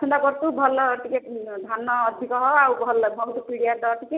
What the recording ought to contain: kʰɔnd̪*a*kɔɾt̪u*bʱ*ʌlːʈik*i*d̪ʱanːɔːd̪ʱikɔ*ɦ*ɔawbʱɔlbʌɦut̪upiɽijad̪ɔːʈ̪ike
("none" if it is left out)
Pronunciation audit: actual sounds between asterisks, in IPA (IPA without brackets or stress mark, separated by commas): a, bʱ, e, ɦ